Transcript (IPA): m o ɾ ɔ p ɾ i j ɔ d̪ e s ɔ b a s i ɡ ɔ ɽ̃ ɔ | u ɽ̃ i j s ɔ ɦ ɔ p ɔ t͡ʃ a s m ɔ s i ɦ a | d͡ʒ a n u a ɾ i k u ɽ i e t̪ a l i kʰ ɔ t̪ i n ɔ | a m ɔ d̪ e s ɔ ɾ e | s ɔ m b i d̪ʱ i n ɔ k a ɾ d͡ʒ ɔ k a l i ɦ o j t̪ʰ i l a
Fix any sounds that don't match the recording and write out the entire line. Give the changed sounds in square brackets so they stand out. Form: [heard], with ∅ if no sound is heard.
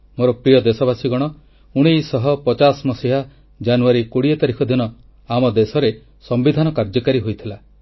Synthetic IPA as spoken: m o ɾ ɔ p ɾ i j ɔ d̪ e s ɔ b a s i ɡ ɔ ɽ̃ ɔ | u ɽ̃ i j s ɔ ɦ ɔ p ɔ t͡ʃ a s m ɔ s i ɦ a | d͡ʒ a n u a ɾ i k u ɽ i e t̪ a [ɾ] i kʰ ɔ [d̪] i n ɔ | a m ɔ d̪ e s ɔ ɾ e | s ɔ m b i d̪ʱ [a] n ɔ k a ɾ d͡ʒ ɔ k a [ɾ] i ɦ o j t̪ʰ i l a